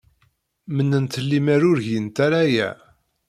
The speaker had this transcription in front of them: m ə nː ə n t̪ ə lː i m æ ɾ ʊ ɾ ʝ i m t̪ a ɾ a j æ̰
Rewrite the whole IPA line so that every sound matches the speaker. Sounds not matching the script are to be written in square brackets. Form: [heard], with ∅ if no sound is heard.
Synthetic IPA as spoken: m ə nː ə n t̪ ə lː i m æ ɾ ʊ ɾ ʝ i [n] t̪ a ɾ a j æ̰